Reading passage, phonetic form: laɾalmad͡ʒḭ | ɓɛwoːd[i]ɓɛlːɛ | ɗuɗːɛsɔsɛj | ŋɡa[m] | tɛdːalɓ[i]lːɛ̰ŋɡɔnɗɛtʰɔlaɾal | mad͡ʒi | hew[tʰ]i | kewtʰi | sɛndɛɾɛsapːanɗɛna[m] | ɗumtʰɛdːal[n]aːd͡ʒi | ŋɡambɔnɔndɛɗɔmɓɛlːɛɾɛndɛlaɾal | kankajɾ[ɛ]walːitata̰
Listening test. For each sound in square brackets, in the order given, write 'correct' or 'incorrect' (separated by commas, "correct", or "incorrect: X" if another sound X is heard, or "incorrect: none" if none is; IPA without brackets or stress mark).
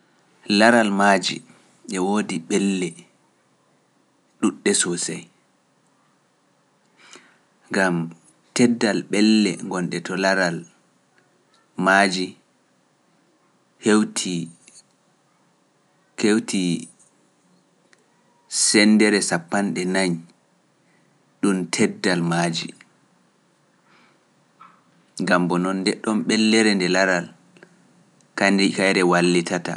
correct, correct, incorrect: ɛ, correct, incorrect: ɲ, incorrect: m, correct